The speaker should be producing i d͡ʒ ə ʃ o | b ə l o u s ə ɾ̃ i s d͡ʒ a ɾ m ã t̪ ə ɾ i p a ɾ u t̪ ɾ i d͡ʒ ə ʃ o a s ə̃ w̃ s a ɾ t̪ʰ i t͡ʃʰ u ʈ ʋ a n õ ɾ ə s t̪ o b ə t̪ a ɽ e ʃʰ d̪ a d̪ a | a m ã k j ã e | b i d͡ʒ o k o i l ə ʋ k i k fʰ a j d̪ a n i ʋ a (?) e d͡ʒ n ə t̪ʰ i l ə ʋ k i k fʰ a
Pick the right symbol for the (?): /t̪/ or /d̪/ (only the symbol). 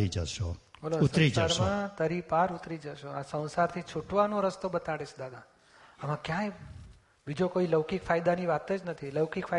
t̪